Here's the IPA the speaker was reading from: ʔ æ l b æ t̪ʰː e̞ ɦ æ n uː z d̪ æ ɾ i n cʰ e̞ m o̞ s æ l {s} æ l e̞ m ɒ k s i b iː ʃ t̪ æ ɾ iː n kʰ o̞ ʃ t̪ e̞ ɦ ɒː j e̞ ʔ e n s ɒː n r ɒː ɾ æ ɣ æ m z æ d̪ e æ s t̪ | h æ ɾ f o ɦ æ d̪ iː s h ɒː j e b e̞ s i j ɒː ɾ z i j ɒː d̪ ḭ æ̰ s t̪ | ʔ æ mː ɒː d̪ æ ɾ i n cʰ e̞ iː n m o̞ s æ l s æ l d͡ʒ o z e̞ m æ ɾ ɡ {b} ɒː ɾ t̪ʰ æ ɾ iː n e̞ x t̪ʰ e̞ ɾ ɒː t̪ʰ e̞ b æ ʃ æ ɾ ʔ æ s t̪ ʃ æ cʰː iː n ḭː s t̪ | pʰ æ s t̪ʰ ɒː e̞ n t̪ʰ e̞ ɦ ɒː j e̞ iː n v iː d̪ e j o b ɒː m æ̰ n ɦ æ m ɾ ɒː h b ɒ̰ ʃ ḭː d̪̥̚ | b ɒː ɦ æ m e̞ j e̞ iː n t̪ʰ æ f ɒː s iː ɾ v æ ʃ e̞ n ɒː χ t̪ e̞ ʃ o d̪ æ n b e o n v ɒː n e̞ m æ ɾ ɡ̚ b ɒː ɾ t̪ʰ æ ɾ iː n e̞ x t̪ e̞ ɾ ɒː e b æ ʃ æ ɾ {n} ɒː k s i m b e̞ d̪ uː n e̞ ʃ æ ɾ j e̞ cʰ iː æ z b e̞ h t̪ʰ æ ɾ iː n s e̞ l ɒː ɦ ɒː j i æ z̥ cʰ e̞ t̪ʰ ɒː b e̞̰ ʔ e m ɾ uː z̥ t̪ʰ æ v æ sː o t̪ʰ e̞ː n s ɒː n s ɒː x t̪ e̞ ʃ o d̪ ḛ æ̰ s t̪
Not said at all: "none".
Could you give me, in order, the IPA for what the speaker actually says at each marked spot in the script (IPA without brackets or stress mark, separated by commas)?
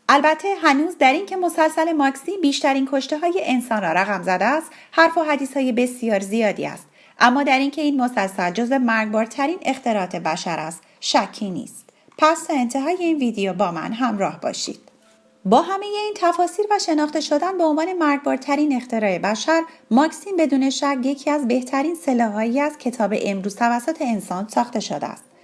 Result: s, b, m